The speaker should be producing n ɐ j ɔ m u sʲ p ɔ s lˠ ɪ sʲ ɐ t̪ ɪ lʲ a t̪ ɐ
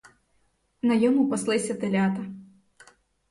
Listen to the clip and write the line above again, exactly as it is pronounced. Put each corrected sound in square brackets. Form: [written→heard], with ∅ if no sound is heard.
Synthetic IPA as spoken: n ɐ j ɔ m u [sʲ→∅] p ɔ s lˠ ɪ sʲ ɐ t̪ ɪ lʲ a t̪ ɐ